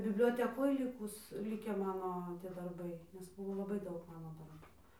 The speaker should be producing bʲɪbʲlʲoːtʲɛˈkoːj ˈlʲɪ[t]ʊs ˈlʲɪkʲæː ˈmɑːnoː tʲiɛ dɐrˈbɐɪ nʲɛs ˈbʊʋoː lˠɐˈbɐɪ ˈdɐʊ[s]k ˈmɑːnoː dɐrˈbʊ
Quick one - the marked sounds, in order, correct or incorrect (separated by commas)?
incorrect, incorrect